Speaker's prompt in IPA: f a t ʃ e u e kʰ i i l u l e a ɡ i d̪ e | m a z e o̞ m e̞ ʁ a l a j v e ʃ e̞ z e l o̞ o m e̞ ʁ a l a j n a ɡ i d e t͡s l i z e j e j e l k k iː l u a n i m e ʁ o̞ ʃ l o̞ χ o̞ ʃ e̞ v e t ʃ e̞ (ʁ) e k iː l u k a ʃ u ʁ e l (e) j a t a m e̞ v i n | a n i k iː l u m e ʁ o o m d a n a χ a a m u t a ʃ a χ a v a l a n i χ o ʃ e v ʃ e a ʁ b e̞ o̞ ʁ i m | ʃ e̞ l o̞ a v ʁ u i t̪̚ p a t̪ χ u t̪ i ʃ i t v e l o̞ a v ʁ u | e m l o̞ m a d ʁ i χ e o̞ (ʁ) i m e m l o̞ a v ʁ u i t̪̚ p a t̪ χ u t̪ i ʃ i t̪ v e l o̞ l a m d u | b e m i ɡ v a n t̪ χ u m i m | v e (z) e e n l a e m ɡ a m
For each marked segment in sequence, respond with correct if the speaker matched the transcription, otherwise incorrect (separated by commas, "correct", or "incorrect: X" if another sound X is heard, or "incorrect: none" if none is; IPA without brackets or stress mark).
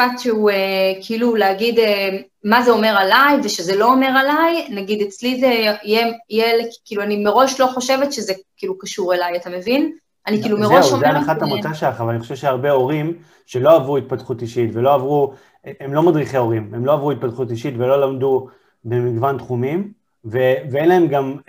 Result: incorrect: z, incorrect: a, correct, incorrect: v